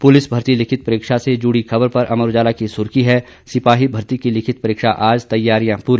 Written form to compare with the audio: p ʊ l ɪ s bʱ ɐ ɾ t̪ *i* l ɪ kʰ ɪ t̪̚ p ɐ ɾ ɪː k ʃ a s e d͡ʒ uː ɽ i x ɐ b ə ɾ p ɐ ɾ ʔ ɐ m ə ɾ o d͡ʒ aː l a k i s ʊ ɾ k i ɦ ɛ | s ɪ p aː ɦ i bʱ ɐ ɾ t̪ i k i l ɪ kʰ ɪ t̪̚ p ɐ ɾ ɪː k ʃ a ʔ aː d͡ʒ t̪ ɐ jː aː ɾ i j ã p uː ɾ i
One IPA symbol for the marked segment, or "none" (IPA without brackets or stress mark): i